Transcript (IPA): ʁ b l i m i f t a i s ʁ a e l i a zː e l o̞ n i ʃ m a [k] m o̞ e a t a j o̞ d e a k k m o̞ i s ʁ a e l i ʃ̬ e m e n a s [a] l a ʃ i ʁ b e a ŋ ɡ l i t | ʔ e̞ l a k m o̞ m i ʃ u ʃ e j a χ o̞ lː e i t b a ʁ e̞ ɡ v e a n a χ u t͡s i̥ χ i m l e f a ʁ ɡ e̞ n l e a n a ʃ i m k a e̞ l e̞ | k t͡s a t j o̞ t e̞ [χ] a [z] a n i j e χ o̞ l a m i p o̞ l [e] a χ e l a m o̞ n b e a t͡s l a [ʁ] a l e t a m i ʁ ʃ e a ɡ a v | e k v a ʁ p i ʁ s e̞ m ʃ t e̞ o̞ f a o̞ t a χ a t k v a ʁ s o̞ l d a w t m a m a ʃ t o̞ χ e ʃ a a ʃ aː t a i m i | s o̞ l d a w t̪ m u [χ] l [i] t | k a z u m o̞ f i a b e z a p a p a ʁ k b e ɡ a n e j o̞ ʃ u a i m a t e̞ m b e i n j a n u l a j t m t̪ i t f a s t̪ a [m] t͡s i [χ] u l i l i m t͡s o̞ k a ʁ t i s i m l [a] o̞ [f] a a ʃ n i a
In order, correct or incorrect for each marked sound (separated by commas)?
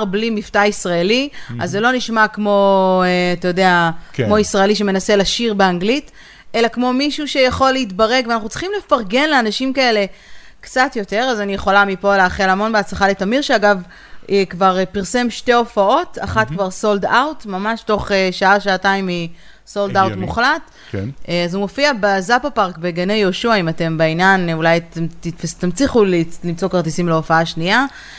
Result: correct, incorrect, incorrect, correct, correct, incorrect, correct, incorrect, correct, correct, incorrect, correct